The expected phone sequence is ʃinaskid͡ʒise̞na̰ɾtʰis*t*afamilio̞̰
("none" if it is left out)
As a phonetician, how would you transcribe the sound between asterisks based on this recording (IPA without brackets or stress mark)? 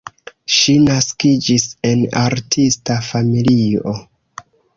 t